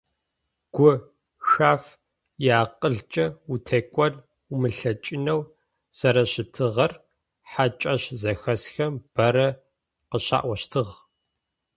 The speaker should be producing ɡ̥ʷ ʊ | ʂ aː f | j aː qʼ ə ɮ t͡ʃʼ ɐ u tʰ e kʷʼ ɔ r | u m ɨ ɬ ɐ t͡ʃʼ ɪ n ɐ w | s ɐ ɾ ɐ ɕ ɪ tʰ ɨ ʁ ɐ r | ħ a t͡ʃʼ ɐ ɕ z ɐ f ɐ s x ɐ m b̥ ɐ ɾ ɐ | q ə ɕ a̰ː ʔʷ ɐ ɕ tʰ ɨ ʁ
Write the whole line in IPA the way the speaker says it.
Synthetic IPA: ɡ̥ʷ ʊ | x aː f | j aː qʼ ə ɮ t͡ʃʼ ɐ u tʰ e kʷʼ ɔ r | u m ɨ ɬ ɐ t͡ʃʼ ɪ n ɐ w | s ɐ ɾ ɐ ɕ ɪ tʰ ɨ ʁ ɐ r | ħ a t͡ʃʼ ɐ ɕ z ɐ x ɐ s x ɐ m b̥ ɐ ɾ ɐ | q ə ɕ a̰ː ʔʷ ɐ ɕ tʰ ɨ ʁ